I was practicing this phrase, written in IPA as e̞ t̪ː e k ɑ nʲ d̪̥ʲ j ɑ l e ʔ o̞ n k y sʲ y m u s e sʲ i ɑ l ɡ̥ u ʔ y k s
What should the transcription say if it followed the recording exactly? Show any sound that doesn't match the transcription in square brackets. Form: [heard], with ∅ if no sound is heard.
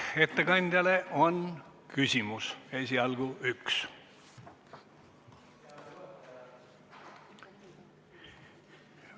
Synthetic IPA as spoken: e̞ t̪ː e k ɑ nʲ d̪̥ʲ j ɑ l e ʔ o̞ n k y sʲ [i] m u s e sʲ i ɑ l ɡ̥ u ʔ y k s